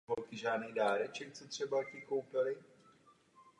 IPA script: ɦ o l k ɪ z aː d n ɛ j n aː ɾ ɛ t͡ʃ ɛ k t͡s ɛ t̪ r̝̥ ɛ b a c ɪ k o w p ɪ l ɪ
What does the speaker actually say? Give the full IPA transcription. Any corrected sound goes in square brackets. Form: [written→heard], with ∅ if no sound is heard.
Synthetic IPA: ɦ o l k ɪ [z→ʒ] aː d n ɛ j [n→d] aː ɾ ɛ t͡ʃ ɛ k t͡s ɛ t̪ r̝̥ ɛ b a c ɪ k o w p ɪ l ɪ